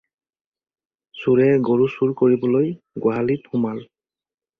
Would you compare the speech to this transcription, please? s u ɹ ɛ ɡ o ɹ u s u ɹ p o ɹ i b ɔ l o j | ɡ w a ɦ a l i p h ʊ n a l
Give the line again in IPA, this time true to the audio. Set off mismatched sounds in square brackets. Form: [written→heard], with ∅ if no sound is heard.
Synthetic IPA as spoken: s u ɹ ɛ ɡ o ɹ u s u ɹ [p→k] o ɹ i b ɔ l o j | ɡ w a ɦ a l i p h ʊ [n→m] a l